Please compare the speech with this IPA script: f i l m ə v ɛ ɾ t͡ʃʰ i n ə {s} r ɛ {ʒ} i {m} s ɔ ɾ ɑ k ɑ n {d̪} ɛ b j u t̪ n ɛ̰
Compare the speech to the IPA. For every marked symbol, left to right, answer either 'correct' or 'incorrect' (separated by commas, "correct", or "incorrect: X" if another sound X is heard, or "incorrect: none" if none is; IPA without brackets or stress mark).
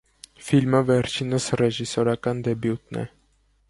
correct, correct, incorrect: none, correct